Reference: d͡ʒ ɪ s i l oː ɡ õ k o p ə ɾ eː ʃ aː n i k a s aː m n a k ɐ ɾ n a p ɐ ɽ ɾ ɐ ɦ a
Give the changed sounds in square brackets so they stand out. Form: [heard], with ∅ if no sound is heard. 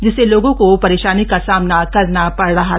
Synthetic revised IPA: d͡ʒ ɪ s [e] l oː ɡ õ k o p [ɐ] ɾ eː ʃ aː n i k a s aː m n a k ɐ ɾ n a p ɐ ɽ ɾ ɐ ɦ a